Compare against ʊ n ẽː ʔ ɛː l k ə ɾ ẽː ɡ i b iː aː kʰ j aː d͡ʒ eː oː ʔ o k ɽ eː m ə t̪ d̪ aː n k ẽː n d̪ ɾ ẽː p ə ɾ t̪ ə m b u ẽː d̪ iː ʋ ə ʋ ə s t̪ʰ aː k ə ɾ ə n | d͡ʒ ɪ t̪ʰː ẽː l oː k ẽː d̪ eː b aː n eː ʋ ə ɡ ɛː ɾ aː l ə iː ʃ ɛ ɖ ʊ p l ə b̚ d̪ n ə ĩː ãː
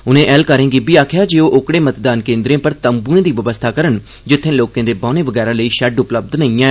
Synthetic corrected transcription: ʊ n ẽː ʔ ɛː l k ə ɾ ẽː ɡ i b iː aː kʰ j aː d͡ʒ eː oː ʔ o k ɽ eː m ə t̪ d̪ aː n k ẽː n d̪ ɾ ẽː p ə ɾ t̪ ə m b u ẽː d̪ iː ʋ ə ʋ ə s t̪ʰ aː k ə ɾ ə n | d͡ʒ ɪ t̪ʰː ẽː l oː k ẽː d̪ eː b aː n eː ʋ ə ɡ ɛː ɾ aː l ə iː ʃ ɛ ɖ ʊ p l ə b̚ d̪ n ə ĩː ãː